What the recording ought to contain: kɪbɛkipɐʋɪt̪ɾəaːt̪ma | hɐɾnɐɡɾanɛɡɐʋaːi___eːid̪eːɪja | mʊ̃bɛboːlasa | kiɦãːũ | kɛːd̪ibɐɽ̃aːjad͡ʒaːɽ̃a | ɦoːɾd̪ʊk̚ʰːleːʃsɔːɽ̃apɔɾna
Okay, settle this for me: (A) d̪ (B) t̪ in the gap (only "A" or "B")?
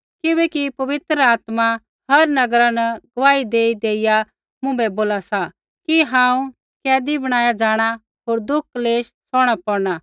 A